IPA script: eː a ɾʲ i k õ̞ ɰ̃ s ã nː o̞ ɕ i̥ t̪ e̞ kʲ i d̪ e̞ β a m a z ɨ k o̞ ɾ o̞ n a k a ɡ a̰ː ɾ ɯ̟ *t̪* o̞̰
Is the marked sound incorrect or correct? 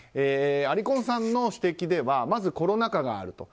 correct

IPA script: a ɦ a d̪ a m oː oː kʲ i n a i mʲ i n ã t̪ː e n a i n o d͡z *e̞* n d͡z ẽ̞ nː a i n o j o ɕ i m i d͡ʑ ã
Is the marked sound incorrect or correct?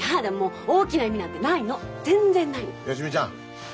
incorrect: ẽ̞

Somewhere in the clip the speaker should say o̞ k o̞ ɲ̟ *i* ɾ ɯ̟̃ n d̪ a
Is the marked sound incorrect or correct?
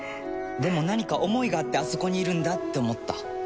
incorrect: iː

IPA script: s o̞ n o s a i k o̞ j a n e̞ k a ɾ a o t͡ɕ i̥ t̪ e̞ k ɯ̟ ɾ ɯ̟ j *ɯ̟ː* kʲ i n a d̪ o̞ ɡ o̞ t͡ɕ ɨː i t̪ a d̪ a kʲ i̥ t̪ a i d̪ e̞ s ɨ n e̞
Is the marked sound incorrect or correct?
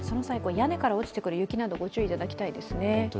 incorrect: ɯ̟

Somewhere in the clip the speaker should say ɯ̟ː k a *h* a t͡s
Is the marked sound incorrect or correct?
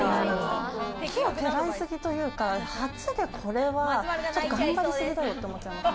correct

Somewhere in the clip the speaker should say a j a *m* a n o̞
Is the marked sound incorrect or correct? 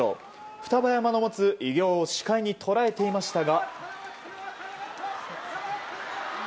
correct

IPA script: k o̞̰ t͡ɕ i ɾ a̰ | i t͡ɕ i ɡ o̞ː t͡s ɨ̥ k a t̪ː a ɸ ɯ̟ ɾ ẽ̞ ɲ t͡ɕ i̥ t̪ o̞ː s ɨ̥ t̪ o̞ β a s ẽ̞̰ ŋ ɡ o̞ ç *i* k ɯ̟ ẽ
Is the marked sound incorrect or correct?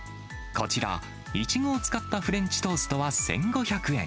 incorrect: a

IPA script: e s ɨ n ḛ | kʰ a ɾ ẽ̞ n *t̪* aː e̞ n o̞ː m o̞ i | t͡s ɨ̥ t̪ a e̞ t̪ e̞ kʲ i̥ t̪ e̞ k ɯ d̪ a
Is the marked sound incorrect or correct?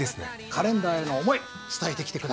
incorrect: d̪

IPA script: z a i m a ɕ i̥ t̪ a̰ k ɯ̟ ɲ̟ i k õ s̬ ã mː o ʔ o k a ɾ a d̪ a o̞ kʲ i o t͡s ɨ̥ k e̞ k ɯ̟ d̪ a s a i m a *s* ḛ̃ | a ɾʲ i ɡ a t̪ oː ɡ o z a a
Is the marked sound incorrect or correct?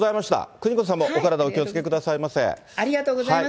correct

